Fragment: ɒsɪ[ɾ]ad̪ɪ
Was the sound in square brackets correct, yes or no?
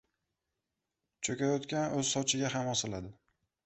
no